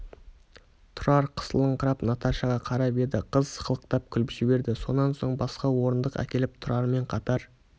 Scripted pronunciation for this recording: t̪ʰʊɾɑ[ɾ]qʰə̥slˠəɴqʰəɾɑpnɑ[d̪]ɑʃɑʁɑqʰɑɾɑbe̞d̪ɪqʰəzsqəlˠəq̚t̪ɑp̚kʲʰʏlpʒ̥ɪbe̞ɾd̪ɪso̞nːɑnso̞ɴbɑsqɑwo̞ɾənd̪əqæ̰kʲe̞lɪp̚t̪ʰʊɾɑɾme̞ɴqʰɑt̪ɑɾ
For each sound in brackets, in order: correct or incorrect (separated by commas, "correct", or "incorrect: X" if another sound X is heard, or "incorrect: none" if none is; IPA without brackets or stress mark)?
correct, incorrect: t̪